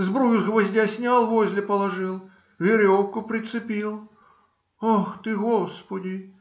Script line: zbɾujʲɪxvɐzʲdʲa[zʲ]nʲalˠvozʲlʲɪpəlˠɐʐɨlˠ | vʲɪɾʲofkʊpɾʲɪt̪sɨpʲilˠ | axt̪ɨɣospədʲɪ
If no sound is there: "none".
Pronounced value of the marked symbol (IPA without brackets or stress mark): sʲ